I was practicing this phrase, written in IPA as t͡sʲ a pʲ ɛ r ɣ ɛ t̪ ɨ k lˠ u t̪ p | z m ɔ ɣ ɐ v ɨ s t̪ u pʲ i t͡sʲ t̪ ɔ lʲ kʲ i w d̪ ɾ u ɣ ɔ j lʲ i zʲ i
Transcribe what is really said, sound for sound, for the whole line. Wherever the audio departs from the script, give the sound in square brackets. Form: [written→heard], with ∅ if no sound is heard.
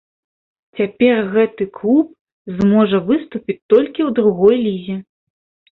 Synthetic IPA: t͡sʲ a pʲ ɛ r ɣ ɛ t̪ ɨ k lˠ u [t̪→∅] p | z m ɔ [ɣ→ʐ] ɐ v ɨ s t̪ u pʲ i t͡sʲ t̪ ɔ lʲ kʲ i w d̪ ɾ u ɣ ɔ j lʲ i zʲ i